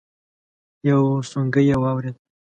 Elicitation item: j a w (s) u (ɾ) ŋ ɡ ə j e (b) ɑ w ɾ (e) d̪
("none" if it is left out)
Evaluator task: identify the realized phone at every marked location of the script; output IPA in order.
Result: s, none, w, e

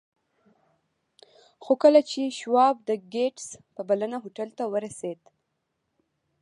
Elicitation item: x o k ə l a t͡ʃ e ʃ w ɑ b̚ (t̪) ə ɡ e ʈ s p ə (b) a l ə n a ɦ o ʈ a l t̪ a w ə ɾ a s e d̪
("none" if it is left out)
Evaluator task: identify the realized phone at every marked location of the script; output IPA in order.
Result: d̪, b

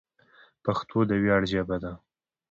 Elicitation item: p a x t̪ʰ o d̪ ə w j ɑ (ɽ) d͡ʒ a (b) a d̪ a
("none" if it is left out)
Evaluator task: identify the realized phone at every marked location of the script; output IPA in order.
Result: ɽ, b

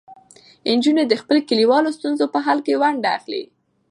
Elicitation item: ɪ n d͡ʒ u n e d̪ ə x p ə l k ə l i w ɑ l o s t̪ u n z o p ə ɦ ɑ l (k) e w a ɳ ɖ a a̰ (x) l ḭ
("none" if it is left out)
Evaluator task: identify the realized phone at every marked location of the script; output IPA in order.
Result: k, x

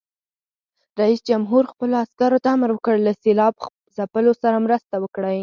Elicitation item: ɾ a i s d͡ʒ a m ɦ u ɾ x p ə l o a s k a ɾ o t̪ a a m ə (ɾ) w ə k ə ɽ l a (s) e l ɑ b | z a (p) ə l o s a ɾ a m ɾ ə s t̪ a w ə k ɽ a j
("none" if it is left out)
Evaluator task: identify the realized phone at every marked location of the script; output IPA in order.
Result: ɾ, s, p

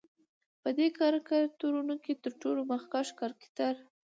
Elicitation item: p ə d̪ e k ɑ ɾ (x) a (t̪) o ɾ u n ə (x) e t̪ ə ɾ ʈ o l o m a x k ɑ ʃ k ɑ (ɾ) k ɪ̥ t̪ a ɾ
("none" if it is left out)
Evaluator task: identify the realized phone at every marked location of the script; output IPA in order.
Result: k, t̪, k, ɾ

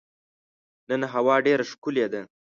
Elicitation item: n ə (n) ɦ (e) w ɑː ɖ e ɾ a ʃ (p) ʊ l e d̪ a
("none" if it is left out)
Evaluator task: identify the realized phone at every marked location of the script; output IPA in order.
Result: n, a, k

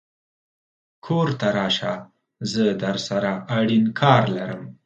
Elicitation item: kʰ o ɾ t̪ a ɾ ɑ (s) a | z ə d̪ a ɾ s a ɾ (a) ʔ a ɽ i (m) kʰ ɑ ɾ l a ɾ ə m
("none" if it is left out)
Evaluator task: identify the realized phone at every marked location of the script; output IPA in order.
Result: ʃ, a, n

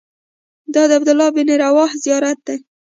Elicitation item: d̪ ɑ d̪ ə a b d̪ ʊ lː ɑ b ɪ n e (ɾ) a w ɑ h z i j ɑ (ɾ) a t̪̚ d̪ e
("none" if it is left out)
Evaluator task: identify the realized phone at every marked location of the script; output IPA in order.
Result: ɾ, ɾ

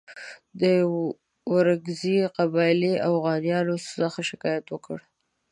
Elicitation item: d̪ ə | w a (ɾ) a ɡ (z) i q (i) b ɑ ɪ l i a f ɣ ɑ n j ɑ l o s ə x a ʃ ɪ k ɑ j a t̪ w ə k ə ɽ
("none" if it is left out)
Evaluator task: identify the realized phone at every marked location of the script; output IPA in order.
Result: ɾ, z, a

